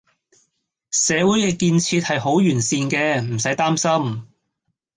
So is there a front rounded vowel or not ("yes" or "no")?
yes